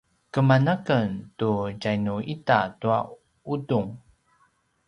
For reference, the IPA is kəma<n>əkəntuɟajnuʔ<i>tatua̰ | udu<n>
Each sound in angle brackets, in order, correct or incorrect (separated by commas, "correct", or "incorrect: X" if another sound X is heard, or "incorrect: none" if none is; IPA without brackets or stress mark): correct, correct, incorrect: ŋ